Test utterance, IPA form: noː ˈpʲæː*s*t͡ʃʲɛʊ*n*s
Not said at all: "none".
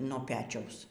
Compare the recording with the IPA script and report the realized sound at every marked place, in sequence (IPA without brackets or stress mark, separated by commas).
none, none